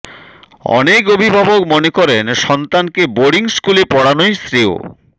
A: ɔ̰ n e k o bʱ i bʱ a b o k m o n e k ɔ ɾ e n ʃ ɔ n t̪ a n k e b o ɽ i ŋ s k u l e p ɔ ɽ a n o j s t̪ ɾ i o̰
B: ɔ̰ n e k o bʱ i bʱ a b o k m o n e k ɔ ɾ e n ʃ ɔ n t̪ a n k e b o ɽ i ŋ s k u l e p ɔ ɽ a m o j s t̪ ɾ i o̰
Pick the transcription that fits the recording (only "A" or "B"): A